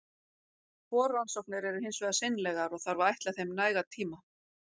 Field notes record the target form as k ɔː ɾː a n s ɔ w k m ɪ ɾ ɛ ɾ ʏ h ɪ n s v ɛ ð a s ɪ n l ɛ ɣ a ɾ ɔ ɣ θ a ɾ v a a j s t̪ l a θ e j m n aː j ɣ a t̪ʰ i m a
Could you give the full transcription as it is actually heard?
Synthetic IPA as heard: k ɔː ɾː a n s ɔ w k n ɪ ɾ ɛ ɾ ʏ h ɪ n s v ɛ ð a s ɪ n l ɛ ɣ a ɾ ɔ ɣ θ a ɾ v a a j h t̪ l a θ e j m n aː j ɣ a t̪ʰ iː m a

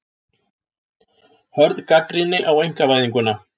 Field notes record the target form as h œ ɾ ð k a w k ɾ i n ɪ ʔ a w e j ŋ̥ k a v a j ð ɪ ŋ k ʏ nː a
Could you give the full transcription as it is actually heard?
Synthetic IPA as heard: h œ ɾ ð k a k ɾ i n ɪ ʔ a w e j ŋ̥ k a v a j ð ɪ ŋ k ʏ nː a

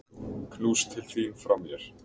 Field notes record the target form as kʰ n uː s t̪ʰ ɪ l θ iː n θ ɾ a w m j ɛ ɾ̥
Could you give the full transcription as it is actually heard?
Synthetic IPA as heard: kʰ n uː s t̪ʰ ɪ l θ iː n f ɾ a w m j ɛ ɾ̥

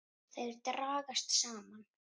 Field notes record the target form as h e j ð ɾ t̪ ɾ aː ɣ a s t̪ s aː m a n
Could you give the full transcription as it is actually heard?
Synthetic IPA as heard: θ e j ð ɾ t̪ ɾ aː ɣ a s t̪ s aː m a n

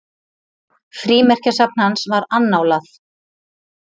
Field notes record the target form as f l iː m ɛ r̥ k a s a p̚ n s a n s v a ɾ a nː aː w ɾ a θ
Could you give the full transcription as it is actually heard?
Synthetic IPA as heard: f ɾ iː m ɛ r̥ c a s a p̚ n h a n s v a ɾ a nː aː w l a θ

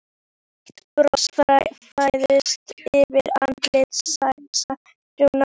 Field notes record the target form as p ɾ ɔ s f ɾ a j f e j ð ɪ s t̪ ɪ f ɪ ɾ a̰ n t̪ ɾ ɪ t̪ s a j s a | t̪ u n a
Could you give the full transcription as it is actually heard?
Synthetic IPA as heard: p ɾ ɔ s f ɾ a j f a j ð ɪ s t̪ ɪ v ɪ ɾ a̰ n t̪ l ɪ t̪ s a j s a | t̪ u n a

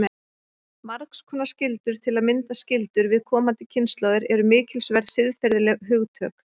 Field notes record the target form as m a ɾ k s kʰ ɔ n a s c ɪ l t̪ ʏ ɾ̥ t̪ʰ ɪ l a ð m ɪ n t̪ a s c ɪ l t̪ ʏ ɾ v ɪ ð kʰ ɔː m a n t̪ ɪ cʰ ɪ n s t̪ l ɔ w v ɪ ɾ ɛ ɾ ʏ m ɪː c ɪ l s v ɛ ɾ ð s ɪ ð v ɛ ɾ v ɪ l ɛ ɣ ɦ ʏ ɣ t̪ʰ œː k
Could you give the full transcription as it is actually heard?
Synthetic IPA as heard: m a ɾ k s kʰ ɔ n a s c ɪ l t̪ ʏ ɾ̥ t̪ʰ ɪ l a ð m ɪ n t̪ a s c ɪ l t̪ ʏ ɾ v ɪ ð kʰ ɔː m a n t̪ ɪ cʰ ɪ n s t̪ l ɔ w ð ɪ ɾ ɛ ɾ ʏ m ɪː c ɪ l s v ɛ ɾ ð s ɪ ð f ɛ ɾ ð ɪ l ɛ ɣ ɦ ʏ ɣ t̪ʰ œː k

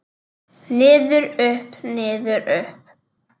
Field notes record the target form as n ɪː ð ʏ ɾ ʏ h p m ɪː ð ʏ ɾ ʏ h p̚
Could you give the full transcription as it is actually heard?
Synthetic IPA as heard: n ɪː ð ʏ ɾ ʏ h p n ɪː ð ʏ ɾ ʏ h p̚

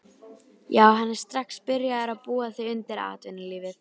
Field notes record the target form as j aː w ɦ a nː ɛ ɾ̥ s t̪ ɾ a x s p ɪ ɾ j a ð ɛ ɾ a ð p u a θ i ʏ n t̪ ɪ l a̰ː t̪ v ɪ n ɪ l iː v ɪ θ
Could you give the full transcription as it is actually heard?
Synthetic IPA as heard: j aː w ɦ a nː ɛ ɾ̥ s t̪ ɾ a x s p ɪ ɾ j a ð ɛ ɾ a ð p uː a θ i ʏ n t̪ ɪ ɾ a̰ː t̪ v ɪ n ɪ l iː v ɪ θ

